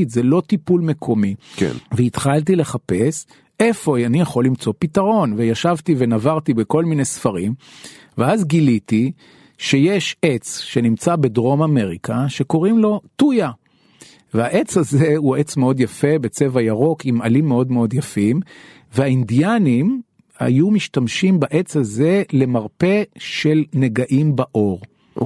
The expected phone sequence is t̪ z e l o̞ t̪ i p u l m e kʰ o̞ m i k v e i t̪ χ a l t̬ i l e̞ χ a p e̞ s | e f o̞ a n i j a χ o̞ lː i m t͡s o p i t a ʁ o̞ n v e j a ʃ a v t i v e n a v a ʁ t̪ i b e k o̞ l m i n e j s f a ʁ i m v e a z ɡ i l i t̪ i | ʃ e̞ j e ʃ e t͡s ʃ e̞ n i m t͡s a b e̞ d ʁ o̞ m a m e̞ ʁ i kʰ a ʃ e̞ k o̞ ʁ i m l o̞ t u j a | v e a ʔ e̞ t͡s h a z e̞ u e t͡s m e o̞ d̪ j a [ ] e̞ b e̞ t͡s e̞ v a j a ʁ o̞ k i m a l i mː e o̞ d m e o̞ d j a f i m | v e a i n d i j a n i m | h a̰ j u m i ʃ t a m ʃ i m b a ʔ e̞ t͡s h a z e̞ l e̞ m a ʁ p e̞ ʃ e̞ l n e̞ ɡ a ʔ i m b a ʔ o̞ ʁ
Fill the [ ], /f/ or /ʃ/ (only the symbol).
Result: f